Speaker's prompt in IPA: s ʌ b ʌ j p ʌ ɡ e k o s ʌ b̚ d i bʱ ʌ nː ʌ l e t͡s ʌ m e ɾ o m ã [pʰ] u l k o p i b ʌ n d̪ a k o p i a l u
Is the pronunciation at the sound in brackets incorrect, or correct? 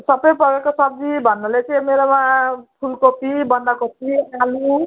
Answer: correct